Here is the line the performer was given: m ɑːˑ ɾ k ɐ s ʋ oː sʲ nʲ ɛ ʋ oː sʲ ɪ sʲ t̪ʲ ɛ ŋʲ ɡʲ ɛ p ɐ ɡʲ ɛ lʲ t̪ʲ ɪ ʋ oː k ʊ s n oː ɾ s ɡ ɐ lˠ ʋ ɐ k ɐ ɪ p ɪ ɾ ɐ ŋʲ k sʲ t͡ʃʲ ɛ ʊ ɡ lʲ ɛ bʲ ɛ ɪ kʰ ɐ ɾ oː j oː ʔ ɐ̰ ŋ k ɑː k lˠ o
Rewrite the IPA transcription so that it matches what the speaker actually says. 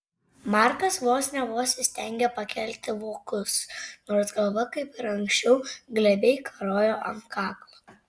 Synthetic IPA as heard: m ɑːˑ ɾ k ɐ s ʋ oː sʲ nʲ ɛ ʋ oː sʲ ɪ sʲ t̪ʲ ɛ ŋʲ ɡʲ ɛ p ɐ kʲ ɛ lʲ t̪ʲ ɪ ʋ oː k ʊ s n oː ɾ s ɡ ɐ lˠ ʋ ɐ k ɐ ɪ p ɪ ɾ ɐ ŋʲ k sʲ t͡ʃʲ ɛ ʊ ɡ lʲ ɛ bʲ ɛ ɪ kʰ ɐ ɾ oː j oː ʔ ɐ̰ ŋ k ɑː k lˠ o

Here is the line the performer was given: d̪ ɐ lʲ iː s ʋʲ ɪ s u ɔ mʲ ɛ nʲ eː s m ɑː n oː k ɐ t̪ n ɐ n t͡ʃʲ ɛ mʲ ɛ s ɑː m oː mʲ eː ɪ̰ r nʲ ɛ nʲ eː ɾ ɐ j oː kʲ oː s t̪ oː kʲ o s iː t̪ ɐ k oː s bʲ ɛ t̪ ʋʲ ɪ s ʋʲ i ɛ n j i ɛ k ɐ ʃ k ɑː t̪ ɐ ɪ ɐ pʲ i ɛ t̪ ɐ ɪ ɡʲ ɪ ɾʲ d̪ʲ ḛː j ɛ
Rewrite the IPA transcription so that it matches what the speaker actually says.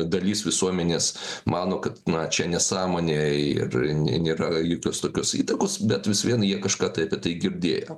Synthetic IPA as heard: d̪ ɐ lʲ iː s ʋʲ ɪ s u ɔ mʲ ɛ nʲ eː s m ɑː n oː k ɐ t̪ n ɐ t͡ʃʲ ɛ nʲ ɛ s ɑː m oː nʲ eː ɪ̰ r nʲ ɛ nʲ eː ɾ ɐ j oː kʲ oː s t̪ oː kʲ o s iː t̪ ɐ k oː s bʲ ɛ t̪ ʋʲ ɪ s ʋʲ i ɛ n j i ɛ k ɐ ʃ k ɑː t̪ ɐ ɪ ɐ pʲ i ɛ t̪ ɐ ɪ ɡʲ ɪ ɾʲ d̪ʲ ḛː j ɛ

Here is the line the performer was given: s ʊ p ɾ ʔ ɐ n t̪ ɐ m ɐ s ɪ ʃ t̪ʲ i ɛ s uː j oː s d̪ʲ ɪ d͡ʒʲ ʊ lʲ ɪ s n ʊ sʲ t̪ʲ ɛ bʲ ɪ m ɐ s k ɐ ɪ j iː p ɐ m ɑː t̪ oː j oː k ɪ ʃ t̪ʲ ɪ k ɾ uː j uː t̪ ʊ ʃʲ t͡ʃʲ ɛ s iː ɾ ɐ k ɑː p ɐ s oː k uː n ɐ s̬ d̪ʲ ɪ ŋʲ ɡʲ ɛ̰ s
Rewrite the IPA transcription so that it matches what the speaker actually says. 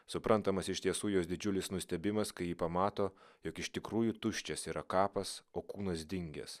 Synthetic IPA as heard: s ʊ p ɾ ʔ ɐ n t̪ ɐ m ɐ s ɪ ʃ t̪ʲ i ɛ s uː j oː s d̪ʲ ɪ d͡ʒʲ ʊ lʲ ɪ s n ʊ sʲ t̪ʲ ɛ bʲ ɪ m ɐ s k ɐ ɪ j iː p ɐ m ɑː t̪ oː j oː k ɪ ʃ t̪ʲ ɪ k ɾ uː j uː t̪ ʊ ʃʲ t͡ʃʲ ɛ s iː ɾ ɐ k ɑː p ɐ s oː k uː n ɐ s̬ d̪ʲ ɪ ŋʲ ɡʲ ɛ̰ s

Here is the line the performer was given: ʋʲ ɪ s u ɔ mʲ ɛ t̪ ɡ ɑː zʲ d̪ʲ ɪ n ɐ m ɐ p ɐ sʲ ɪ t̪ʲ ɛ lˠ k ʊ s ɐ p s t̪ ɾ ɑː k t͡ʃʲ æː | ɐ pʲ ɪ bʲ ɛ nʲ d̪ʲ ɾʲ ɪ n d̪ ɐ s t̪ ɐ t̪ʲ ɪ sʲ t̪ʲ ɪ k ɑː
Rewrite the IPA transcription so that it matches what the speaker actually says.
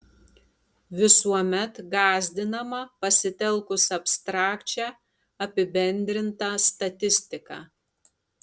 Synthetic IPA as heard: ʋʲ ɪ s u ɔ mʲ ɛ t̪ ɡ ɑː zʲ d̪ʲ ɪ n ɐ m ɐ p ɐ sʲ ɪ t̪ʲ ɛ lˠ k ʊ s ɐ p s t̪ ɾ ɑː k t͡ʃʲ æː | ɐ pʲ ɪ bʲ ɛ nʲ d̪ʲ ɾʲ ɪ n t̪ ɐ s t̪ ɐ t̪ʲ ɪ sʲ t̪ʲ ɪ k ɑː

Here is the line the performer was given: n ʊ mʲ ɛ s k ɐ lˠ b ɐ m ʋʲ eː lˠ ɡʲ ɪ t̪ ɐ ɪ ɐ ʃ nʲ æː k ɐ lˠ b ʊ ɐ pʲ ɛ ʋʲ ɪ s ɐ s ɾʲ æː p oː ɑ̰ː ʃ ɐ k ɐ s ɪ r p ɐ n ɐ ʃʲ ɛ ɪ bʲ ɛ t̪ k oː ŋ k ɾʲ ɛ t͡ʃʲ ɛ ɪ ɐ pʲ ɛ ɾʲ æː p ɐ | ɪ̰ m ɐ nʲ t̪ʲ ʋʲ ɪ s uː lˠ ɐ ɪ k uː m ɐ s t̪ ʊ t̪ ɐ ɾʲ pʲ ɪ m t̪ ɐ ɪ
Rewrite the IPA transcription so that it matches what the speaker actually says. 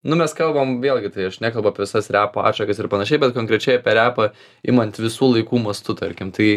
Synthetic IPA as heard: n ʊ mʲ ɛ s k ɐ lˠ b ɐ m ʋʲ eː lˠ ɡʲ ɪ t̪ ɐ ɪ ɐ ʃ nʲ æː k ɐ lˠ b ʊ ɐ pʲ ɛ ʋʲ ɪ s ɐ s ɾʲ æː p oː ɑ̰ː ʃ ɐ k ɐ s ɪ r p ɐ n ɐ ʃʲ ɛ ɪ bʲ ɛ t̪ k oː ŋ k ɾʲ ɛ t͡ʃʲ ɛ ɪ ɐ pʲ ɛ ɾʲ æː p ɐ | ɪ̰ m ɐ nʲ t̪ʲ ʋʲ ɪ s uː lˠ ɐ ɪ k uː m ɐ s t̪ ʊ t̪ ɐ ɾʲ kʲ ɪ m t̪ ɐ ɪ

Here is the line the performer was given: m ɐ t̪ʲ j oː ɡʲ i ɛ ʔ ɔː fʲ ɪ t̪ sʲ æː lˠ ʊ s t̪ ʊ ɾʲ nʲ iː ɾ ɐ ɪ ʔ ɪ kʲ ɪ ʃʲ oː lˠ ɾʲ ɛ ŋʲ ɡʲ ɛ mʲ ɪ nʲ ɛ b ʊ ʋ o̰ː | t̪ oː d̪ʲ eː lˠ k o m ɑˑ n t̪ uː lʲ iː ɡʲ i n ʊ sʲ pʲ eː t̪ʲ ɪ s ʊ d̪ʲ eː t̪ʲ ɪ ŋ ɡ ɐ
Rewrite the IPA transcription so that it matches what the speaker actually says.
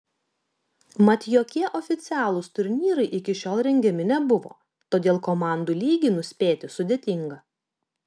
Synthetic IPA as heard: m ɐ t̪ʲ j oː kʲ i ɛ ʔ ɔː fʲ ɪ t̪ sʲ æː lˠ ʊ s t̪ ʊ ɾʲ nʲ iː ɾ ɐ ɪ ʔ ɪ kʲ ɪ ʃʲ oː lˠ ɾʲ ɛ ŋʲ ɡʲ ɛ mʲ ɪ nʲ ɛ b ʊ ʋ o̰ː | t̪ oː d̪ʲ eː lˠ k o m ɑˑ n d̪ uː lʲ iː ɡʲ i n ʊ sʲ pʲ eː t̪ʲ ɪ s ʊ d̪ʲ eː t̪ʲ ɪ ŋ ɡ ɐ

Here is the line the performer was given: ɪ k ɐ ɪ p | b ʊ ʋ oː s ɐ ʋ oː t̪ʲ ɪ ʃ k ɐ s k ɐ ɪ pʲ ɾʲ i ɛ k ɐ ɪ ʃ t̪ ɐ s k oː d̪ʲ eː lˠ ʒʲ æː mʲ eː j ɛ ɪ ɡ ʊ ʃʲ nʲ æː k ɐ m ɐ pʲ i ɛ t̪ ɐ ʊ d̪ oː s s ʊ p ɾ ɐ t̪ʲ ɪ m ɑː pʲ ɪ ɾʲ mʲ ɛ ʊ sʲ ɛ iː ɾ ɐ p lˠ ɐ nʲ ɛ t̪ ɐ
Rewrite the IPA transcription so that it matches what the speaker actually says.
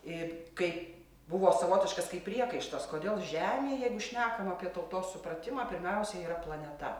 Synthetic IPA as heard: ɪ k ɐ ɪ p | b ʊ ʋ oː s ɐ ʋ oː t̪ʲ ɪ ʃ k ɐ s k ɐ ɪ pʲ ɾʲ i ɛ k ɐ ɪ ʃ t̪ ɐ s k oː d̪ʲ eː lˠ ʒʲ æː mʲ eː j ɛ ɪ ɡ ʊ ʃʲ nʲ æː k ɐ m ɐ pʲ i ɛ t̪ ɐ ʊ t̪ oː s s ʊ p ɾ ɐ t̪ʲ ɪ m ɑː pʲ ɪ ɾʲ mʲ ɛ ʊ sʲ ɛ iː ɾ ɐ p lˠ ɐ nʲ ɛ t̪ ɐ

